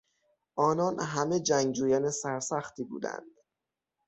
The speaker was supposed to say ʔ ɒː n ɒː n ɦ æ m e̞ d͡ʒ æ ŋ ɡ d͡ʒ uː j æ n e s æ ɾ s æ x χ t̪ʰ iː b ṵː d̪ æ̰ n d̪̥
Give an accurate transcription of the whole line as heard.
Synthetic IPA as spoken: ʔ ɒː n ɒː n ɦ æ m e̞ d͡ʒ æ ŋ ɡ d͡ʒ uː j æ n e s æ ɾ s æ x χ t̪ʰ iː b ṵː d̪ æ̰ n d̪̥

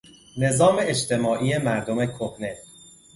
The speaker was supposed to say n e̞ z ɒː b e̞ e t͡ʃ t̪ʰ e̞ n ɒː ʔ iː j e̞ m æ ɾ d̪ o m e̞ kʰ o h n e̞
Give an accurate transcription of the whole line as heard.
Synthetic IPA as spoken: n e̞ z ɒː m e̞ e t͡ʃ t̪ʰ e̞ m ɒː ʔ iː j e̞ m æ ɾ d̪ o m e̞ kʰ o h n e̞

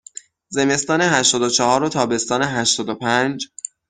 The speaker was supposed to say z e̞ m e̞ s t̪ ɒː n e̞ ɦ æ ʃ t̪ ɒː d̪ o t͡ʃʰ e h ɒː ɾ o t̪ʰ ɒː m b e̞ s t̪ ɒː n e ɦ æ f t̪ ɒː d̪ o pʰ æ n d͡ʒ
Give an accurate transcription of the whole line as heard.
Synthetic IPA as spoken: z e̞ m e̞ s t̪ ɒː n e̞ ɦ æ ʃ t̪ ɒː d̪ o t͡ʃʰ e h ɒː ɾ o t̪ʰ ɒː b e̞ s t̪ ɒː n e ɦ æ ʃ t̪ ɒː d̪ o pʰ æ n d͡ʒ

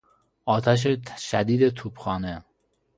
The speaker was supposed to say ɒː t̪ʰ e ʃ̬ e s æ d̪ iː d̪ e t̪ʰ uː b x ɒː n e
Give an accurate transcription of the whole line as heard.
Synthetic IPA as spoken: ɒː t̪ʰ æ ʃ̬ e ʃ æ d̪ iː d̪ e t̪ʰ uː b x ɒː n e

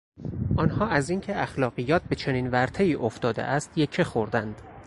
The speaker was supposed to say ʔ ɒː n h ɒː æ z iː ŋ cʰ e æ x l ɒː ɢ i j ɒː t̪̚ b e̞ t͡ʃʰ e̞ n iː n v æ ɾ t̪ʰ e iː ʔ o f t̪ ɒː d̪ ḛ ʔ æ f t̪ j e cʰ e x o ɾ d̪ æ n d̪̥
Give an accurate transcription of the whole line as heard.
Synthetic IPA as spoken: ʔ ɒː n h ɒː æ z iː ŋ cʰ e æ x l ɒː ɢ i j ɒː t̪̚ b e̞ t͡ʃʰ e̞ n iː n v æ ɾ t̪ʰ e iː ʔ o f t̪ ɒː d̪ ḛ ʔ æ s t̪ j e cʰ e x o ɾ d̪ æ n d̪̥

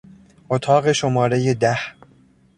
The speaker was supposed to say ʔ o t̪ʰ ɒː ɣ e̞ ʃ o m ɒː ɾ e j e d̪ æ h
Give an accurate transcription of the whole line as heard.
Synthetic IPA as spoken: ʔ o t̪ʰ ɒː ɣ e̞ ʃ o m ɒː ɾ e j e d̪ æ h

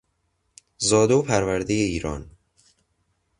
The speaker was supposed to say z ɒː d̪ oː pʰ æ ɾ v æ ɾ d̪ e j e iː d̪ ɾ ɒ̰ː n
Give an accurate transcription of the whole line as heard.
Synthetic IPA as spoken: z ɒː d̪ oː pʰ æ ɾ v æ ɾ d̪ e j e iː ɾ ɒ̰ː n

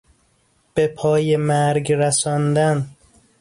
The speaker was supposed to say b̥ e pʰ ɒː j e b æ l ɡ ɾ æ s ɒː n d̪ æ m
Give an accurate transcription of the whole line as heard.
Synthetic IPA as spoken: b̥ e pʰ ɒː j e m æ ɾ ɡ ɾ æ s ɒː n d̪ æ n

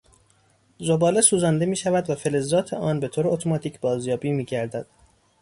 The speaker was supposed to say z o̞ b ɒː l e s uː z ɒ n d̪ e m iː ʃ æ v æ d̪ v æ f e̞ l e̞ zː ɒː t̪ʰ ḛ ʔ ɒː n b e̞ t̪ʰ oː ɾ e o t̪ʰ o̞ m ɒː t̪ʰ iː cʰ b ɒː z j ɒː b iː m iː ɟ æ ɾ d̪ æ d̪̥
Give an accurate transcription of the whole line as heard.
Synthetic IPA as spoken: z o̞ b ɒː l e s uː z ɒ n d̪ e m iː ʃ æ v æ d̪ v æ f e̞ l e̞ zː ɒː t̪ʰ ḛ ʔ ɒː n b e̞ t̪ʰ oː ɾ e o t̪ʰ o̞ m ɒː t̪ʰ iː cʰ b ɒː z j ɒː b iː m iː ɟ æ ɾ d̪ æ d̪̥

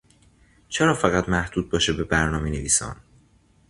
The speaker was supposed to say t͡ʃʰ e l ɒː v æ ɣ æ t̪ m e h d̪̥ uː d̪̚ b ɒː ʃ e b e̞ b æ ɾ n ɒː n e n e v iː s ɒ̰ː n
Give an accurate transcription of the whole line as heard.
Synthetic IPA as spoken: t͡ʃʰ e ɾ ɒː f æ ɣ æ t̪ m æ h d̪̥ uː d̪̚ b ɒː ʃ e b e̞ b æ ɾ n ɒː m e n e v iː s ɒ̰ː n

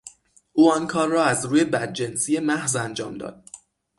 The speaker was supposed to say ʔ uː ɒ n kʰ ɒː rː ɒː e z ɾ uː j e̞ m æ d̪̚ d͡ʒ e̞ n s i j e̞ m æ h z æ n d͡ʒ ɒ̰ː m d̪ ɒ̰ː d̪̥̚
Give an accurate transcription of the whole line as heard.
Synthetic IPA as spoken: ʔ uː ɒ n kʰ ɒː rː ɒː æ z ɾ uː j e̞ b æ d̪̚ d͡ʒ e̞ n s i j e̞ m æ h z æ n d͡ʒ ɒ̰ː m d̪ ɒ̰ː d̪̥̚

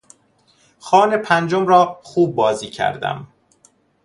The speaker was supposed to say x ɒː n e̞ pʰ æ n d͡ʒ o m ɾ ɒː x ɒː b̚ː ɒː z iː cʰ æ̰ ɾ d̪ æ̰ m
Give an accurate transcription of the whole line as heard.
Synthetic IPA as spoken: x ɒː n e̞ pʰ æ n d͡ʒ o m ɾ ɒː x uː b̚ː ɒː z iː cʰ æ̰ ɾ d̪ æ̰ m

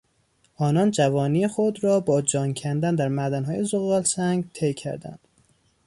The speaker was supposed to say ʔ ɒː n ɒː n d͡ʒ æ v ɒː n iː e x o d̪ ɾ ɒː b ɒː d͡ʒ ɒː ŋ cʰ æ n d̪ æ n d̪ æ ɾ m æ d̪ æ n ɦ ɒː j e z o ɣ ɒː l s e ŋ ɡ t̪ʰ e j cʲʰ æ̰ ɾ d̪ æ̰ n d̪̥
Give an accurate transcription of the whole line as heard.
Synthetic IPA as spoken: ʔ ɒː n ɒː n d͡ʒ æ v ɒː n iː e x o d̪ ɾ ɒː b ɒː d͡ʒ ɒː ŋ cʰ æ n d̪ æ n d̪ æ ɾ m æ d̪ æ n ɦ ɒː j e z o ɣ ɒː l s æ ŋ ɡ t̪ʰ e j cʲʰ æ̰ ɾ d̪ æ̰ n d̪̥

